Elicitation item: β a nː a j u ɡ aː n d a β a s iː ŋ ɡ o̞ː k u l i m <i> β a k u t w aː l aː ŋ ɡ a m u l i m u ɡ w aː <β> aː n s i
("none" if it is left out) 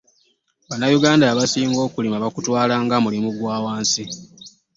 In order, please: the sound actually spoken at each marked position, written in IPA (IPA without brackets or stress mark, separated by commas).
a, w